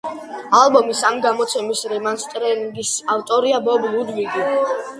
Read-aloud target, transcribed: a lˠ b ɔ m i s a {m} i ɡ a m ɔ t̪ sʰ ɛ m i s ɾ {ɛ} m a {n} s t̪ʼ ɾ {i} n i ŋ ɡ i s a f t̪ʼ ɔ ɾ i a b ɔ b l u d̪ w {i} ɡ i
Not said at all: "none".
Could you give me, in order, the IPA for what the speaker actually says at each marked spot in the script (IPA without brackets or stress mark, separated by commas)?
m, ɛ, n, ɛ, i